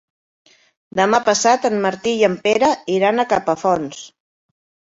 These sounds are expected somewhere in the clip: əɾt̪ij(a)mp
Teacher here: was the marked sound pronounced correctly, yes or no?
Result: no